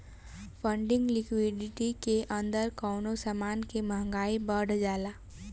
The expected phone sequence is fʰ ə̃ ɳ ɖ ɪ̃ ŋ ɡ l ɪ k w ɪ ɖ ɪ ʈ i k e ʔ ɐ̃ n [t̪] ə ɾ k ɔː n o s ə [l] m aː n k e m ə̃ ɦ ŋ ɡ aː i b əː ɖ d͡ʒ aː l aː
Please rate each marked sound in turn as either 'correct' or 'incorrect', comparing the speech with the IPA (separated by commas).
incorrect, incorrect